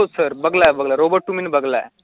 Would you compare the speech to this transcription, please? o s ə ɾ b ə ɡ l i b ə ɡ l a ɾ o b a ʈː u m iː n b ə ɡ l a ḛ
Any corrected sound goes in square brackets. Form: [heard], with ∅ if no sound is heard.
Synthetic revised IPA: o s ə ɾ b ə ɡ l [a] b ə ɡ l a ɾ o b [ə] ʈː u m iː n b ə ɡ l a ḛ